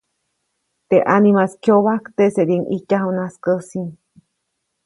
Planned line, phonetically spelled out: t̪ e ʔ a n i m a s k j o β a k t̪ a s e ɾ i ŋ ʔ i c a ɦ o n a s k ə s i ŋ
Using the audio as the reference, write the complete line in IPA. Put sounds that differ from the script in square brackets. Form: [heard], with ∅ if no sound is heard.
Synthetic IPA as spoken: t̪ e ʔ a n i m a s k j o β a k t̪ [e] s e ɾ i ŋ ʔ i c a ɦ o n a s k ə s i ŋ